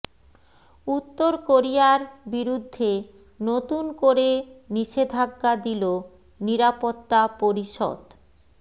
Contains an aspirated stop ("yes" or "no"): no